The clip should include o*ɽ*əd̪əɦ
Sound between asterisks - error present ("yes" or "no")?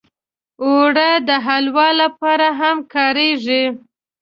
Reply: no